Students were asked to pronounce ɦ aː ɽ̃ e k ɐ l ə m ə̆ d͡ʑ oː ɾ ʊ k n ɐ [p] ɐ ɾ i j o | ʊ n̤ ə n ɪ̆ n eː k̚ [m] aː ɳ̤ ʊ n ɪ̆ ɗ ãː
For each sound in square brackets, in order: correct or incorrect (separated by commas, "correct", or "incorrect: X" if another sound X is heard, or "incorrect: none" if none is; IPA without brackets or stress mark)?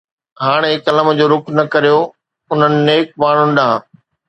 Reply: incorrect: k, correct